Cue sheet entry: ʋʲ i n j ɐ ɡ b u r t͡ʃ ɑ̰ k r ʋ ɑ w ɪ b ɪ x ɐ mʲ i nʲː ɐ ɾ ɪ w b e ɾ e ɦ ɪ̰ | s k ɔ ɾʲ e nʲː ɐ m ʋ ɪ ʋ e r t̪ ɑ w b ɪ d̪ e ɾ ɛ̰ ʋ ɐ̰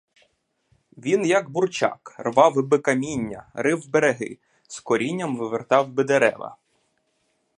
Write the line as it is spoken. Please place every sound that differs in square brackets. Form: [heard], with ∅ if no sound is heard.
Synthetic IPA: ʋʲ i n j ɐ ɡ b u r t͡ʃ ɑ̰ k r ʋ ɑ w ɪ b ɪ [k] ɐ mʲ i nʲː ɐ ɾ ɪ w b e ɾ e ɦ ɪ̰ | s k ɔ ɾʲ [i] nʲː ɐ m ʋ ɪ ʋ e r t̪ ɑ w b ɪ d̪ e ɾ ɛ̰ ʋ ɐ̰